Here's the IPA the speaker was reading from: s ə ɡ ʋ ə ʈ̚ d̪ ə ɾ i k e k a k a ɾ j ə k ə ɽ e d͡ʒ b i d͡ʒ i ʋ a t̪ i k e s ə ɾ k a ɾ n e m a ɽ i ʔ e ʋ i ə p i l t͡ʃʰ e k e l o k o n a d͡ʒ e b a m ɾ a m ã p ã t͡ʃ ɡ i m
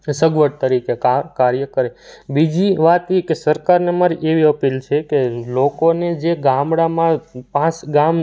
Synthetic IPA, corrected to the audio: s ə ɡ ʋ ə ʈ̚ t̪ ə ɾ i k e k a k a ɾ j ə k ə ɾ e b i d͡ʒ i ʋ a t̪ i k e s ə ɾ k a ɾ n e m a ɾ i ʔ e ʋ i ə p i l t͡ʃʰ e k e l o k o n e d͡ʒ e ɡ a m ɽ a m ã p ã t͡ʃ ɡ a m